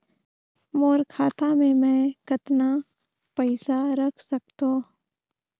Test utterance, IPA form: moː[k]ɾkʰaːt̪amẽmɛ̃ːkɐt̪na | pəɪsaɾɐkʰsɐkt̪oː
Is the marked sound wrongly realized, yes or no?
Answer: yes